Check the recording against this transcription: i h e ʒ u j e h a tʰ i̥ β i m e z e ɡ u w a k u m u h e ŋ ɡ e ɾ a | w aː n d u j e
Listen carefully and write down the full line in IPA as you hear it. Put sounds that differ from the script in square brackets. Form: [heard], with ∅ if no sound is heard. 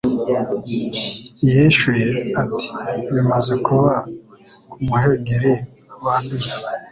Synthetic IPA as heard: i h e [ʃ] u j e [∅] a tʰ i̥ β i m [a] z e [k] u [β] a k u m u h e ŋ ɡ e ɾ [e] | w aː n d u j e